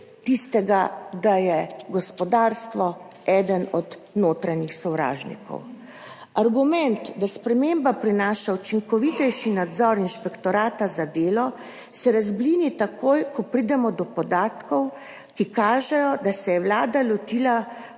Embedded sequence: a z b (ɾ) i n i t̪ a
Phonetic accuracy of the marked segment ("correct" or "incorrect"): incorrect